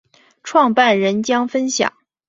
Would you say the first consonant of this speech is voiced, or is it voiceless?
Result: voiceless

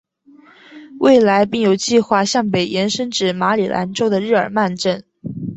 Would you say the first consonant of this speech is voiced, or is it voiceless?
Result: voiced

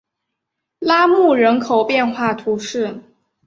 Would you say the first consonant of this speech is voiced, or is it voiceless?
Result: voiced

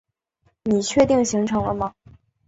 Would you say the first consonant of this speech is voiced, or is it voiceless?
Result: voiced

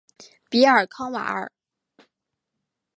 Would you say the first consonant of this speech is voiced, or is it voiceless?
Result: voiceless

